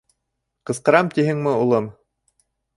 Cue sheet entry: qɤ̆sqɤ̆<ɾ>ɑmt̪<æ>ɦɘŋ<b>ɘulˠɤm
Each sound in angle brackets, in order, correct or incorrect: correct, incorrect: i, incorrect: m

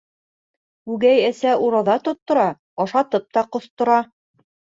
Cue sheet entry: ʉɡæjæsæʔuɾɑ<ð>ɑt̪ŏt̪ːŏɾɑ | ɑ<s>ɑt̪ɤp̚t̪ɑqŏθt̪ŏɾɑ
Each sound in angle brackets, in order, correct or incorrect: correct, incorrect: ʃ

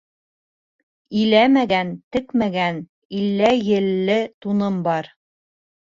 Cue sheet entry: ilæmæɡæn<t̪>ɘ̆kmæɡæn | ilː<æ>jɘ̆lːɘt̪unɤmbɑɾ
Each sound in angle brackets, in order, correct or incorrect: correct, correct

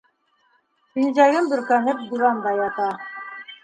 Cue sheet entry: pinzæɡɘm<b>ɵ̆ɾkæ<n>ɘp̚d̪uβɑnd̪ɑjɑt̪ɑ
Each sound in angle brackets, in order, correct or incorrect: correct, correct

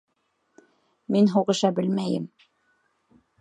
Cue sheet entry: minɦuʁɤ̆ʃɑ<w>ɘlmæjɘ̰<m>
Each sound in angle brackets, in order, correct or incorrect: incorrect: b, correct

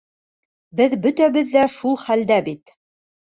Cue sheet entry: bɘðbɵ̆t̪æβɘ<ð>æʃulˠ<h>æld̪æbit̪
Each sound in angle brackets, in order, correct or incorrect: incorrect: ðː, incorrect: χ

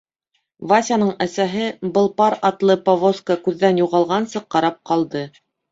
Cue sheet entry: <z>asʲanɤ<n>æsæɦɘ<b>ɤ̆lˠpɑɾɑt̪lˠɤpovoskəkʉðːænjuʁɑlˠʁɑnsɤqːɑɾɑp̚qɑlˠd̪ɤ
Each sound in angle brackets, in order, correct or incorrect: incorrect: v, incorrect: ɴ, correct

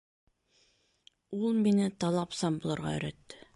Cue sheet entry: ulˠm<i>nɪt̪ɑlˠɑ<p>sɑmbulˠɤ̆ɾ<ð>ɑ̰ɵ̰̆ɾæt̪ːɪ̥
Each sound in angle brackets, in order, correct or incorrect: correct, correct, incorrect: ʁ

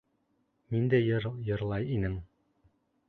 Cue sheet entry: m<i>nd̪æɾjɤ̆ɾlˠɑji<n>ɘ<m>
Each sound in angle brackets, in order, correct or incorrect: correct, correct, incorrect: ŋ

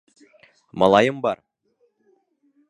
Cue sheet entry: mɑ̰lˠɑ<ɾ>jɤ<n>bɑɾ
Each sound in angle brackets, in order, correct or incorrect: incorrect: none, incorrect: m

